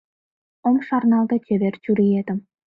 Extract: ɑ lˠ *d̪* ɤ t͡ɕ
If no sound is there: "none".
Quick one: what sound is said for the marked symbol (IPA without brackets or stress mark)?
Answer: d̪